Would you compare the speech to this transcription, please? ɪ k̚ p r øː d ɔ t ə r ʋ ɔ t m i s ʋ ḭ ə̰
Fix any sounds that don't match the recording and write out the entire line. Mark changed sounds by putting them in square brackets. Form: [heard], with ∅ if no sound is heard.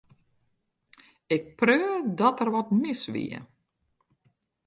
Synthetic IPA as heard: ɪ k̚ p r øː d ɔ t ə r ʋ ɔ t m [ɪ] s ʋ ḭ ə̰

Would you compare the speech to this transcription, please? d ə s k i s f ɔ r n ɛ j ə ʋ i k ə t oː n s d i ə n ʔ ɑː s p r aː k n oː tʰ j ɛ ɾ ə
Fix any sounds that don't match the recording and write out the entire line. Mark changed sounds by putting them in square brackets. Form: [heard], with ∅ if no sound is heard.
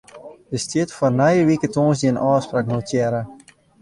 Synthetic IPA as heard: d ə s [t] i [t] f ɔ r n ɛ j ə ʋ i k ə t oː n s d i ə n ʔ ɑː s p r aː k n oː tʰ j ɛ ɾ ə

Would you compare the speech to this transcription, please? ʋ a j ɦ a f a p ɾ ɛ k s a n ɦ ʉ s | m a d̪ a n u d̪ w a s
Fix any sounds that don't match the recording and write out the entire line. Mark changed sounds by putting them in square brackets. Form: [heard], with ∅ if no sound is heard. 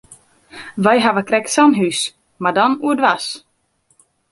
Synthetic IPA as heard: [v] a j ɦ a [v] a [k] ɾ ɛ k s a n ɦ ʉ s | m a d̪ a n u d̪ [v] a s

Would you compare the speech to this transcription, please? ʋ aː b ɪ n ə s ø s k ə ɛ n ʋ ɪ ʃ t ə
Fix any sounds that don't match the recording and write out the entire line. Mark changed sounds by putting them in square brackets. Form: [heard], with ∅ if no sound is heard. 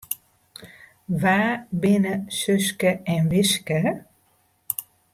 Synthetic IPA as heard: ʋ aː b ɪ n ə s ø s k ə ɛ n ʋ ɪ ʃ [k] ə

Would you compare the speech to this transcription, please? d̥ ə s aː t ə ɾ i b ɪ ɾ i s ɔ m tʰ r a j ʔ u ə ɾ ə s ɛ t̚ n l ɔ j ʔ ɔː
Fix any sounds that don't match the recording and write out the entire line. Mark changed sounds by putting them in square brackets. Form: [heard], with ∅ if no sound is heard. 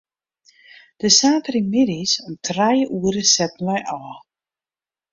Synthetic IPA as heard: d̥ ə s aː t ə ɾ i [m] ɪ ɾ i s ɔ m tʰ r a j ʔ u ə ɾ ə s ɛ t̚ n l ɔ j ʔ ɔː

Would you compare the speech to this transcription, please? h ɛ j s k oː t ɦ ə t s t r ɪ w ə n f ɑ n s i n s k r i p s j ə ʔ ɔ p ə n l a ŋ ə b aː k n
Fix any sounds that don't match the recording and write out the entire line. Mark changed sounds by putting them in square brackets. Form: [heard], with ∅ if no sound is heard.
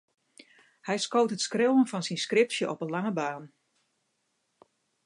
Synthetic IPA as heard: h ɛ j s k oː t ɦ ə t s [k] r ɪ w ə n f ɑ n s i n s k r [ɪ] p s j ə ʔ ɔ p ə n l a ŋ ə b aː [∅] n

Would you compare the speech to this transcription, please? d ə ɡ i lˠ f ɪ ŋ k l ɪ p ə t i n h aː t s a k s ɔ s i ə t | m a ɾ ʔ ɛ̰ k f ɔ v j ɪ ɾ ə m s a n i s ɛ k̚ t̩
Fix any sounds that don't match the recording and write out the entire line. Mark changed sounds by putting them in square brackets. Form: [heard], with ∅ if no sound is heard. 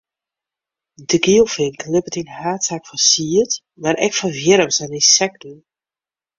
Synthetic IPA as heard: d ə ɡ i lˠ f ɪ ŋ k l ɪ p ə t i n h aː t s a k [f] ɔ s i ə t | m a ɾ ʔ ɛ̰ k f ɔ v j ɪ ɾ ə m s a n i s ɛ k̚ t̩

